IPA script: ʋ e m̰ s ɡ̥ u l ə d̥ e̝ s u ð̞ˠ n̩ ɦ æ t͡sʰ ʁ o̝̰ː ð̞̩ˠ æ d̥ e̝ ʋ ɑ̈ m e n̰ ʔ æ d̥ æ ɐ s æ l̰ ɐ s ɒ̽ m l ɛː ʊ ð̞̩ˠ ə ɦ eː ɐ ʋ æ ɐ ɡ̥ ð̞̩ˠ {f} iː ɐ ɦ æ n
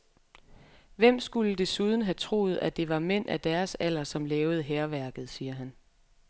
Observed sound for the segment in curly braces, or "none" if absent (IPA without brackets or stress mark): s